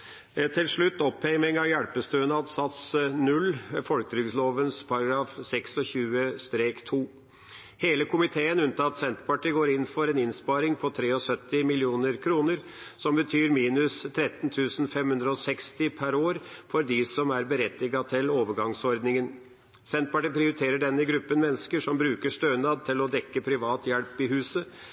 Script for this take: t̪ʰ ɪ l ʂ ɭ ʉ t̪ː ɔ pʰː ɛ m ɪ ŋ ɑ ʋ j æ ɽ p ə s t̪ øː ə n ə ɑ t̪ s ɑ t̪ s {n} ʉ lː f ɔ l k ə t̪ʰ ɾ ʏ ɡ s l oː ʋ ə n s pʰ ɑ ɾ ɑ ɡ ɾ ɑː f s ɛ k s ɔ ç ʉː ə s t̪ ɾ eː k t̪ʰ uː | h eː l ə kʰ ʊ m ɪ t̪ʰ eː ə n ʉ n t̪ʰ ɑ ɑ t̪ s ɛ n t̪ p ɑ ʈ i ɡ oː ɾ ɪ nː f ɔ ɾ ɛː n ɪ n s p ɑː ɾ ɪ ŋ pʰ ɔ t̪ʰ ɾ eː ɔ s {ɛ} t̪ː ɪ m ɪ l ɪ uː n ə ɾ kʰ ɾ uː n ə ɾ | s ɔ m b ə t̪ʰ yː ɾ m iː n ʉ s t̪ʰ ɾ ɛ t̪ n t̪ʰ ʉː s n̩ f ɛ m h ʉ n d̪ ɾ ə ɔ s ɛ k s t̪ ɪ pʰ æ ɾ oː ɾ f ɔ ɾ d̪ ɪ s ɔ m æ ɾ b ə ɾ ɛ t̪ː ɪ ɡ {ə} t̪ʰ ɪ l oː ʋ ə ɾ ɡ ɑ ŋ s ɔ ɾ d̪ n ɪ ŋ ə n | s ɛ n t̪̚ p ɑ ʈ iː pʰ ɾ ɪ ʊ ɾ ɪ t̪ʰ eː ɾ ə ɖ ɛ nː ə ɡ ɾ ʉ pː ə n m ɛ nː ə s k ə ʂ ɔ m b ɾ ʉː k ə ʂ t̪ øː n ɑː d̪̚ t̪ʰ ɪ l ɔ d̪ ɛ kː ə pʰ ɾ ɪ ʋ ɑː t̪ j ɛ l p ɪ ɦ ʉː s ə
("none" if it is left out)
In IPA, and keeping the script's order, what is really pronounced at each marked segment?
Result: n, œ, ɑ

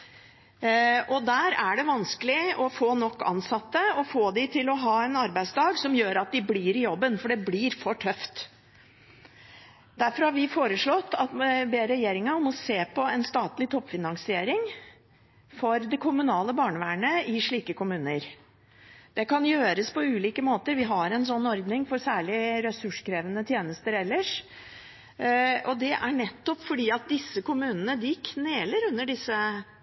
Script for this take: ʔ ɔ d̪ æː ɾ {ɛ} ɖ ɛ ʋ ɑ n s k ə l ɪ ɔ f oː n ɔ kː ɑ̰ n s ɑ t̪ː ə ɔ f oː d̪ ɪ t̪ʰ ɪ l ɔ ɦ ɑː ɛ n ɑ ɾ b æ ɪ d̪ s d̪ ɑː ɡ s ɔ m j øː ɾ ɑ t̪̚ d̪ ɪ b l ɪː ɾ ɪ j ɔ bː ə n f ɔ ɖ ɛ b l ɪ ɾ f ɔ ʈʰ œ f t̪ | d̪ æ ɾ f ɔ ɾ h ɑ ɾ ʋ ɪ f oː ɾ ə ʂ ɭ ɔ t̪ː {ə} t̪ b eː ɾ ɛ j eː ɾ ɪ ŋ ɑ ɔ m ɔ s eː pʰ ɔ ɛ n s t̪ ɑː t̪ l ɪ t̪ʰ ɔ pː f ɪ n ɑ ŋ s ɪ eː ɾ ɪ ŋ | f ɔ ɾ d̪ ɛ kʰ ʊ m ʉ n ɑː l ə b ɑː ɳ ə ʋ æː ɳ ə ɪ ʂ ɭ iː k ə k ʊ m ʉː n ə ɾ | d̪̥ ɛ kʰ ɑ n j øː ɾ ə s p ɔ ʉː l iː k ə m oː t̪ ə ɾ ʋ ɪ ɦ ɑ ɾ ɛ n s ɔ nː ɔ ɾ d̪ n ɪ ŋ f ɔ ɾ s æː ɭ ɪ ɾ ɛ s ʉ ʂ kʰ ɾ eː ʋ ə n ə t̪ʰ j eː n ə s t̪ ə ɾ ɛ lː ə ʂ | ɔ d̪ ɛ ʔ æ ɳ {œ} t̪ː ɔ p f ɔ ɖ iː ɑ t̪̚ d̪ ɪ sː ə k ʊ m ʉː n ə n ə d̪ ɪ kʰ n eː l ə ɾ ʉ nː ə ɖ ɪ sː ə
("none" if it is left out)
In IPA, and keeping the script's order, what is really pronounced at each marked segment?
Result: æ, ɑ, ɛ

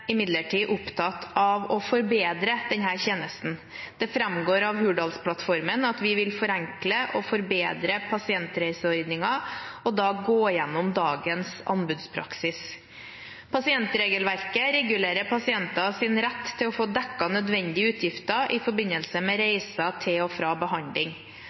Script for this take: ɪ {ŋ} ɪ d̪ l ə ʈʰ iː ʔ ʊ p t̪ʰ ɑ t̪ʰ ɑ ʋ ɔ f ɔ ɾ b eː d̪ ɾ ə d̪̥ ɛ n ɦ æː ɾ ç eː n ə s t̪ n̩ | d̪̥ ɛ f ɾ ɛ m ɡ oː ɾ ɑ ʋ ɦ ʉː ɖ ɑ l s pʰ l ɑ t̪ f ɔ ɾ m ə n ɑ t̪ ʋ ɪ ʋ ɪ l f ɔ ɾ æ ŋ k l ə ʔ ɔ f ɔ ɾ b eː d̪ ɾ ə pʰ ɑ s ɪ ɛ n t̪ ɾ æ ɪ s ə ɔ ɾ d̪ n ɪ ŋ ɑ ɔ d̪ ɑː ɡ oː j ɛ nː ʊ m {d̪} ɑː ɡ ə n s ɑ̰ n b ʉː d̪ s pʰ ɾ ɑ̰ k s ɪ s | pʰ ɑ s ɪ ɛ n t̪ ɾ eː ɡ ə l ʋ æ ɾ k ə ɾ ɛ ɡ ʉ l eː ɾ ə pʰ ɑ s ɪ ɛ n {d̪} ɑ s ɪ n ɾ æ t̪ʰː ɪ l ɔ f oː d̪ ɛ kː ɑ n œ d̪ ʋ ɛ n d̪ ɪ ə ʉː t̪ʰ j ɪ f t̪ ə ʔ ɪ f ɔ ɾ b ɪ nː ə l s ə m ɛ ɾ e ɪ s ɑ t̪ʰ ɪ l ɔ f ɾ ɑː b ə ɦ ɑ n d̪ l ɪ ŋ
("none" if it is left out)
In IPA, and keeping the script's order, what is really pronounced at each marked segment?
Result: m, d̪, t̪

